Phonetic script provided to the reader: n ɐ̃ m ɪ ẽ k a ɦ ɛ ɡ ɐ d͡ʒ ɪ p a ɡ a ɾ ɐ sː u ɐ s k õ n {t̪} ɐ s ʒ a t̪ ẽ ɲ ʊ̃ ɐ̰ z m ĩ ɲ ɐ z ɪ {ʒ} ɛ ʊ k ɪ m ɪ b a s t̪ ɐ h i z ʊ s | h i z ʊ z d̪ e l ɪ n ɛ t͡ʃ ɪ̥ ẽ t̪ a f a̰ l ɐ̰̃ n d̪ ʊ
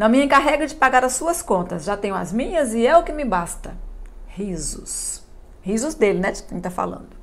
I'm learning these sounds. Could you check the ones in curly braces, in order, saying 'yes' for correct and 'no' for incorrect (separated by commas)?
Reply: yes, no